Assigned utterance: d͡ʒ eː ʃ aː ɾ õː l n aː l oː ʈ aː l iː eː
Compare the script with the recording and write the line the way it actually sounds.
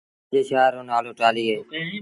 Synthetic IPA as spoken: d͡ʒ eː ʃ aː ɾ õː n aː l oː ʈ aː l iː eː